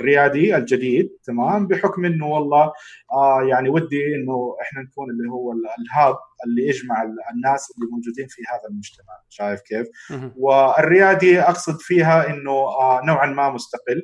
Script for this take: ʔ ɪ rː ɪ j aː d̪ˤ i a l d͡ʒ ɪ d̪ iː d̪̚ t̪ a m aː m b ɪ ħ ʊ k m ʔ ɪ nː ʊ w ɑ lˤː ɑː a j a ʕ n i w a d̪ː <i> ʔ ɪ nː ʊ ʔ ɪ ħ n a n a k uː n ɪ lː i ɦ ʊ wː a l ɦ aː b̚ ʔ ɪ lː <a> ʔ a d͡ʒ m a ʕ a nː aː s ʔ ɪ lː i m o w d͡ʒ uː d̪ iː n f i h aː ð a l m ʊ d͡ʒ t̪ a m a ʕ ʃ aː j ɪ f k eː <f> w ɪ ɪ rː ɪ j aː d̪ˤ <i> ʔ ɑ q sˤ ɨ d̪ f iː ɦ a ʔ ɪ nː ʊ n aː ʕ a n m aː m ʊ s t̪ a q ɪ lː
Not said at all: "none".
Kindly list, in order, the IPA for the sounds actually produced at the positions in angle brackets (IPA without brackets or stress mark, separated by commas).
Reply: i, i, f, i